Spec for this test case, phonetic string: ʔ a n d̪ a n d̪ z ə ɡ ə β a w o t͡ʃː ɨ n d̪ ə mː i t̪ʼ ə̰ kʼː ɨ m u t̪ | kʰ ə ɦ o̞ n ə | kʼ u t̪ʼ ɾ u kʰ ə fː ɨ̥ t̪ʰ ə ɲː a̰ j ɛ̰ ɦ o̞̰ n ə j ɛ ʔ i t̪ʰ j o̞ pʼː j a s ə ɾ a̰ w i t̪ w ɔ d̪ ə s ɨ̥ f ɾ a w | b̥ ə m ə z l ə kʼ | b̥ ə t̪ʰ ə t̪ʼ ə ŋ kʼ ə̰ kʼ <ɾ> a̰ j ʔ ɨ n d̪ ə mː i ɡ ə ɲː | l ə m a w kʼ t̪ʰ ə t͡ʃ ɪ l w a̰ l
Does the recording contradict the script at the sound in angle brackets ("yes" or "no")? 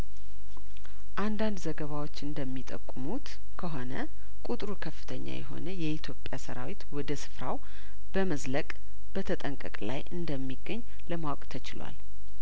yes